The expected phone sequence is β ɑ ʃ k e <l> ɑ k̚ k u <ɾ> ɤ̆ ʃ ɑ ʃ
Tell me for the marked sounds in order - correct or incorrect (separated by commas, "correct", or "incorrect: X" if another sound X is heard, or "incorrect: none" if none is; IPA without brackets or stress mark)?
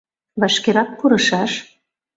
incorrect: ɾ, correct